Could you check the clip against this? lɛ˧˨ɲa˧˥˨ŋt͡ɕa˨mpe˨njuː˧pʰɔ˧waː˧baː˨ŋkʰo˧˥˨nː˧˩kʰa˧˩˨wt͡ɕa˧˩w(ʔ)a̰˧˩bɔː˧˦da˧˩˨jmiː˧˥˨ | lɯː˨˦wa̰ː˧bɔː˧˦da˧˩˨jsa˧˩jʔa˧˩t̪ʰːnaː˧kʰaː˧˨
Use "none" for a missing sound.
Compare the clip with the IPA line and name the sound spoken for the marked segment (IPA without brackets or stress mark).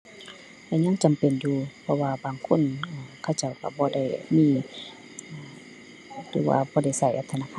k